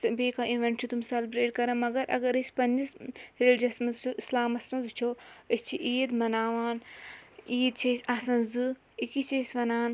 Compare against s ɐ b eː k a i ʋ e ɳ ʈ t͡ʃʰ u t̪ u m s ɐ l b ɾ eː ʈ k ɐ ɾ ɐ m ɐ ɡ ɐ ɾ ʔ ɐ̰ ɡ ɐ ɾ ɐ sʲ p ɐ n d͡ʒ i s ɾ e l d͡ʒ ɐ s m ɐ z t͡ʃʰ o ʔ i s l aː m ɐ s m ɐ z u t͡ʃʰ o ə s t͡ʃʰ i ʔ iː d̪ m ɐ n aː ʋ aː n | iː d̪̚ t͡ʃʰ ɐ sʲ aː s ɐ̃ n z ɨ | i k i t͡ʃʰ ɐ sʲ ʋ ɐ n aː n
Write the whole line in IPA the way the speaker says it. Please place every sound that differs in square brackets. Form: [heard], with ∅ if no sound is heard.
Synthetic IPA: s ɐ b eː k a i ʋ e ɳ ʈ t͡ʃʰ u t̪ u m s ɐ l b ɾ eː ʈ k ɐ ɾ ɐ m ɐ ɡ ɐ ɾ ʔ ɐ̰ ɡ ɐ ɾ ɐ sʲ p ɐ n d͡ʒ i s ɾ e l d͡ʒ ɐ s m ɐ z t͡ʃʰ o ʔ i s l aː m ɐ s m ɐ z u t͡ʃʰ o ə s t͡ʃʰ i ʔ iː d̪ m ɐ n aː ʋ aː n | iː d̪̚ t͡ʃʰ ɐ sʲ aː s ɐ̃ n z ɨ | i k i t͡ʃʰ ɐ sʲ ʋ ɐ n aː n

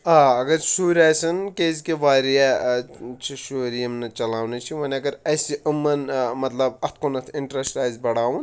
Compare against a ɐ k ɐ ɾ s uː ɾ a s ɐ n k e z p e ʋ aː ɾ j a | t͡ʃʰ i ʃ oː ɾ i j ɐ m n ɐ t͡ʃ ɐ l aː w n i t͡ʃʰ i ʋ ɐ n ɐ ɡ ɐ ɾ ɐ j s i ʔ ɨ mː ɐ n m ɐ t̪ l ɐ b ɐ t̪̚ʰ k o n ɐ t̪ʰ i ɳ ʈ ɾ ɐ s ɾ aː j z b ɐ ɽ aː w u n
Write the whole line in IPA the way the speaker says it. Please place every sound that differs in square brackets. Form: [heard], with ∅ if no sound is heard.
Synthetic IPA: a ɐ [ɡ] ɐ ɾ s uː ɾ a s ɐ n k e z [k] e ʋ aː ɾ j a | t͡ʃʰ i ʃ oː ɾ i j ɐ m n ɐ t͡ʃ ɐ l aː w n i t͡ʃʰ i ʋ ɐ n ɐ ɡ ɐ ɾ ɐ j s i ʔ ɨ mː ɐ n m ɐ t̪ l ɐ b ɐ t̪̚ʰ k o n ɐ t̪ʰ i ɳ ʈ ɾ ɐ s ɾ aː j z b ɐ ɽ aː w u n

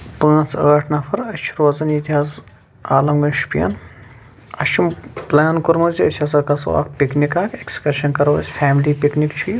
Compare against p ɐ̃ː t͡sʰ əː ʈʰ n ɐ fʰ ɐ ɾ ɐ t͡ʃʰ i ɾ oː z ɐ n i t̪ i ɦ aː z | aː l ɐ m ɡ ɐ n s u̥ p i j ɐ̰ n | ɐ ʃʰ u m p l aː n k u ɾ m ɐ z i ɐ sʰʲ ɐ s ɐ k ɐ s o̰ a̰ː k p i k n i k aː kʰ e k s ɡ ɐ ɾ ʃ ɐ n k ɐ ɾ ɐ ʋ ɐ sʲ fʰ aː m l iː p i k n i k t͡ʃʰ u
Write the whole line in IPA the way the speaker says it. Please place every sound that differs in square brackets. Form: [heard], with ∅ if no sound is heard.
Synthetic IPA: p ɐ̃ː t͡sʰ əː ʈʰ n ɐ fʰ ɐ ɾ ɐ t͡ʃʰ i ɾ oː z ɐ n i t̪ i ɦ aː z | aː l ɐ m ɡ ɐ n [ʃ] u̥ p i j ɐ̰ n | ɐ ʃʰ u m p l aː n k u ɾ m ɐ z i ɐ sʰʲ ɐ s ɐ k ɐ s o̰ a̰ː k p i k n i k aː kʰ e k s [k] ɐ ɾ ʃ ɐ n k ɐ ɾ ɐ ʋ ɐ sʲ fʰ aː m l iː p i k n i k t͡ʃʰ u

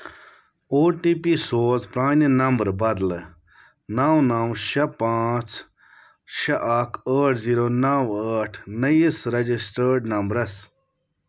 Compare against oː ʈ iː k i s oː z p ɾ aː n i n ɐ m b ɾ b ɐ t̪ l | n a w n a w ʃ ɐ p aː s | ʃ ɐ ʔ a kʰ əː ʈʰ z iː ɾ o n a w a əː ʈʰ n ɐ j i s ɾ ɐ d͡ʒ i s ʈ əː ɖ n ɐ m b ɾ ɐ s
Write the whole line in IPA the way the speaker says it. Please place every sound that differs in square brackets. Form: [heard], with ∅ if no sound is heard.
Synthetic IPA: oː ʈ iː [p] i s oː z p ɾ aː n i n ɐ m b ɾ b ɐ [d̪] l | n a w n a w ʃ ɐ p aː [t͡s] | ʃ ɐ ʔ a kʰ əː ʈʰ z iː ɾ o n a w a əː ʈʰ n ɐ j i s ɾ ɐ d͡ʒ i s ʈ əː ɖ n ɐ m b ɾ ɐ s

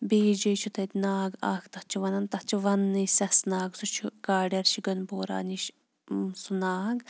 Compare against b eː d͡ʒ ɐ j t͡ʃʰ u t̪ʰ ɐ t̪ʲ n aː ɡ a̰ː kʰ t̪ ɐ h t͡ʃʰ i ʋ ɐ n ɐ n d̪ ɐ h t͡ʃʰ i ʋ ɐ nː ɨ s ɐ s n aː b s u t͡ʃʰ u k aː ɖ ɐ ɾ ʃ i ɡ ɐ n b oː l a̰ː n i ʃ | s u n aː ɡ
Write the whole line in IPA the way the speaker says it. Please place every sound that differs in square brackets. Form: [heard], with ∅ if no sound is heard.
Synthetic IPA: b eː d͡ʒ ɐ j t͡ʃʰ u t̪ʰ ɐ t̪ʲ n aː ɡ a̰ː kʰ t̪ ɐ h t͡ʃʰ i ʋ ɐ n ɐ n [t̪] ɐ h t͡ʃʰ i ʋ ɐ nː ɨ s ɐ s n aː [ɡ] s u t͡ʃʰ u k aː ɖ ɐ ɾ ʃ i ɡ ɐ n b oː [ɾ] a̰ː n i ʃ | s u n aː ɡ

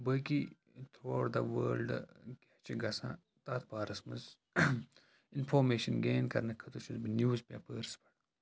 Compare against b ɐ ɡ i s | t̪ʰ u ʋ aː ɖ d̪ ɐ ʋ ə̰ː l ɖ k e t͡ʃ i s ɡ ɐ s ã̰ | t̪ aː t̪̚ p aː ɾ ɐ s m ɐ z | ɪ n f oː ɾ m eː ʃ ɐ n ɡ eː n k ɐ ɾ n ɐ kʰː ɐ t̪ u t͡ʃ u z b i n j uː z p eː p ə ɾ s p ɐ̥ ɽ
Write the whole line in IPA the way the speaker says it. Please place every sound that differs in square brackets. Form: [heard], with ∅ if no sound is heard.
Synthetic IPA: b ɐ [k] i [∅] | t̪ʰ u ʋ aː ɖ d̪ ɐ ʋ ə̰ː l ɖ k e t͡ʃ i [∅] ɡ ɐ s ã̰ | t̪ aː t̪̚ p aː ɾ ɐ s m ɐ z | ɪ n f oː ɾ m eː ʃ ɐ n ɡ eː n k ɐ ɾ n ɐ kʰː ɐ t̪ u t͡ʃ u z b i n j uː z p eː p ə ɾ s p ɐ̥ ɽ

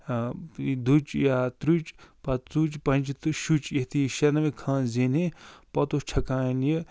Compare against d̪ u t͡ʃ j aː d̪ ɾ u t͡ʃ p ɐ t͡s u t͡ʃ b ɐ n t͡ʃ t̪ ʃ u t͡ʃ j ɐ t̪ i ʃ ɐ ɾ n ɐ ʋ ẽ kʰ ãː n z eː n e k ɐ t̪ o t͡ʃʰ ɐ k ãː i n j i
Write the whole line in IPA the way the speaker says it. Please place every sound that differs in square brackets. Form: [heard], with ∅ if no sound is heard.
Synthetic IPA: d̪ u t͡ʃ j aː [t̪] ɾ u t͡ʃ p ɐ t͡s u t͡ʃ [p] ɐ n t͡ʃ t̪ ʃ u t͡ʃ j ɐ t̪ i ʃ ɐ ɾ n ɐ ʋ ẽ kʰ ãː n z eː n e [p] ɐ t̪ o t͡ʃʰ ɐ k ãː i n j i

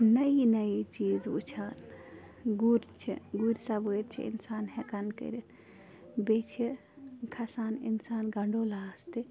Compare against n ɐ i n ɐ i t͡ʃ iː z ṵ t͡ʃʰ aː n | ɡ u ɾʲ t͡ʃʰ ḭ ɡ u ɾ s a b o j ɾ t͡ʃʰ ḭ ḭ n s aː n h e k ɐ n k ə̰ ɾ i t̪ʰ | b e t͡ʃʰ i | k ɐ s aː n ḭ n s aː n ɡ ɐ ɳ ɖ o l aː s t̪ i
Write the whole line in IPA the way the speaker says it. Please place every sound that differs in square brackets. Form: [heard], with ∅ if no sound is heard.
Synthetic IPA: n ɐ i n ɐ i t͡ʃ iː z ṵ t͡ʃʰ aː n | ɡ u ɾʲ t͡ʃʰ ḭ ɡ u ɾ s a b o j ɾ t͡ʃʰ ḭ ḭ n s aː n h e k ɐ n k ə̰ ɾ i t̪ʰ | b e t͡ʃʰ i | [kʰ] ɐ s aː n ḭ n s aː n ɡ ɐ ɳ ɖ o l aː s t̪ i

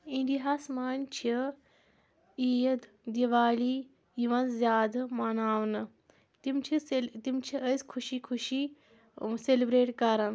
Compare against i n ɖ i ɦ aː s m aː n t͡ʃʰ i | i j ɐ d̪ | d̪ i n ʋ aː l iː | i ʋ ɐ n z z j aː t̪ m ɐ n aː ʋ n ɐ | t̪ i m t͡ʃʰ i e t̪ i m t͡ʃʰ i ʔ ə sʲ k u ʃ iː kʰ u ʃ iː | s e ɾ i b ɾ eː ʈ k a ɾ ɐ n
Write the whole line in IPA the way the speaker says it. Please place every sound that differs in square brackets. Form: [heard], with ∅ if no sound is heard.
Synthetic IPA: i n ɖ i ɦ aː s m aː n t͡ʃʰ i | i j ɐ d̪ | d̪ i [∅] ʋ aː l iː | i ʋ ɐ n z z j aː [d̪] m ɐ n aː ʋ n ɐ | t̪ i m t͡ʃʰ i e t̪ i m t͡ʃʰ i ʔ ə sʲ [kʰ] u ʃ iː kʰ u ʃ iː | s e [l] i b ɾ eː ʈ k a ɾ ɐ n

